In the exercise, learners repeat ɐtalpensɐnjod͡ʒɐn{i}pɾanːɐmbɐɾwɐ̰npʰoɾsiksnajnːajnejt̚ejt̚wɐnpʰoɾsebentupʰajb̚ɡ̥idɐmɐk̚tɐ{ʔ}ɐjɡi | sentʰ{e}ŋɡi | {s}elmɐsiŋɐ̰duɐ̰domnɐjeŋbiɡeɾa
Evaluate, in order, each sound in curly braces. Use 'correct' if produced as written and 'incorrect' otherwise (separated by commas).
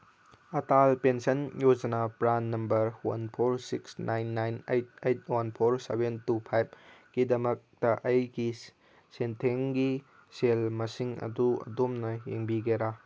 incorrect, correct, correct, correct